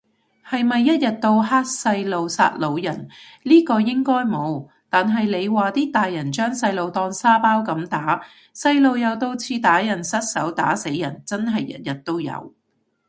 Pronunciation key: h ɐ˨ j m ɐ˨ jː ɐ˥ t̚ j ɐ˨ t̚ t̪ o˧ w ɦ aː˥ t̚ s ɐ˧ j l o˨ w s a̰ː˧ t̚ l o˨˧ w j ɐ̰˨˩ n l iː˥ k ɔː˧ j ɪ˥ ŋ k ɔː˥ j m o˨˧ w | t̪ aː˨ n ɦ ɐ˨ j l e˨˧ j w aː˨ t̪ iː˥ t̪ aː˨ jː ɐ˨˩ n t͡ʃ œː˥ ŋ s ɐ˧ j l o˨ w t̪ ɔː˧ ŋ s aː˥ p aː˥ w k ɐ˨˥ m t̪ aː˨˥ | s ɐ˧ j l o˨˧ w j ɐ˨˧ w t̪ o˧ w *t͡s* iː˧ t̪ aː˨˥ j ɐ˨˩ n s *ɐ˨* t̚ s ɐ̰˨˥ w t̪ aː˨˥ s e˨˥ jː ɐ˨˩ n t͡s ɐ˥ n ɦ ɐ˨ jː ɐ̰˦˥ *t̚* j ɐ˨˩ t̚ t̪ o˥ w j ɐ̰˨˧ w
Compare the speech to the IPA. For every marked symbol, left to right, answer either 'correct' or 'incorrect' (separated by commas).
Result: incorrect, incorrect, correct